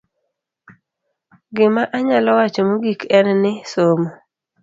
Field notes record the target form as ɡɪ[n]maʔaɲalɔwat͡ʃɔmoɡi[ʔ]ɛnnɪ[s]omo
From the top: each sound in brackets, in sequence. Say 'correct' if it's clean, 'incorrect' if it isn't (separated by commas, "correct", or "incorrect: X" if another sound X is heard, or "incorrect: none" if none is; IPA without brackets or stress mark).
incorrect: none, incorrect: k, correct